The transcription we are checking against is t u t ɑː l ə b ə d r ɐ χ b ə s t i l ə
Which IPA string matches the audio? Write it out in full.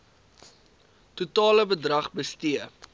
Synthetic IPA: t u t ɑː l ə b ə d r ɐ χ b ə s t i ə

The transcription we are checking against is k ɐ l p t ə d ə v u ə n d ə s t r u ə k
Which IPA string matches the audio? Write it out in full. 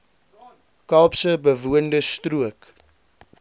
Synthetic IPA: k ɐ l p s ə b ə v u ə n d ə s t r u ə k

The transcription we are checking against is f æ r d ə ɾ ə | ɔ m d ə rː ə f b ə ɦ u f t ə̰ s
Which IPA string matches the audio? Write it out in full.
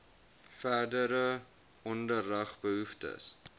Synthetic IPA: f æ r d ə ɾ ə | ɔ n d ə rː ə χ b ə ɦ u f t ə̰ s

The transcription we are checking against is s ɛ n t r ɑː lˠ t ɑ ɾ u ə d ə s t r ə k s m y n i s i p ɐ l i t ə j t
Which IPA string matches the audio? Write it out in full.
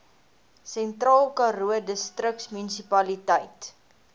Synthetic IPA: s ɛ n t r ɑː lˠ k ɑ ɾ u ə d ə s t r ə k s m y n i s i p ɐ l i t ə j t

